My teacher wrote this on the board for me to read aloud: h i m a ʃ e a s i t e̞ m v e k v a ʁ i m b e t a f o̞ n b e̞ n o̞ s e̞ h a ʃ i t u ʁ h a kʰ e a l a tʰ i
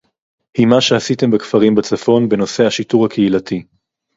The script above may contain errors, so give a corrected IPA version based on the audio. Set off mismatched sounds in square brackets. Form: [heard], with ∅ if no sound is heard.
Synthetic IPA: h i m a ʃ e a s i t e̞ m [b] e k [f] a ʁ i m b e [t͡s] a f o̞ n b e̞ n o̞ s e̞ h a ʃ i t u ʁ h a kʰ e [i] l a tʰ i